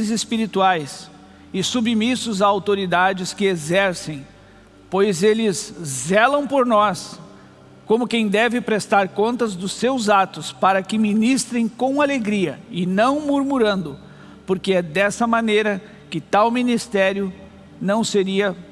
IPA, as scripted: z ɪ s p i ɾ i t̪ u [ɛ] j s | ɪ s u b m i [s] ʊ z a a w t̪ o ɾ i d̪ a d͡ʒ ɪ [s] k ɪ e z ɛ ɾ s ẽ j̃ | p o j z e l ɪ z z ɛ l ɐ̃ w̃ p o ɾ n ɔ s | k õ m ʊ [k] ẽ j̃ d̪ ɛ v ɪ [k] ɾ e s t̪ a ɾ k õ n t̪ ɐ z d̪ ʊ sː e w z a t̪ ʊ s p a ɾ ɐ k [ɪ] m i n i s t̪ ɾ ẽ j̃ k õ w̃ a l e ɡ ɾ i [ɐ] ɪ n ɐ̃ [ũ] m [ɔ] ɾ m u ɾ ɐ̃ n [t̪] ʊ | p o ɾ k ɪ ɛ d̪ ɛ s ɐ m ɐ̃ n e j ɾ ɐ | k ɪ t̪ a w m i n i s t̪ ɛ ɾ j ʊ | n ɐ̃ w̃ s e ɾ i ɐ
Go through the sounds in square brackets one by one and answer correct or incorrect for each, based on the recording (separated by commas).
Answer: incorrect, correct, correct, correct, incorrect, correct, correct, incorrect, incorrect, incorrect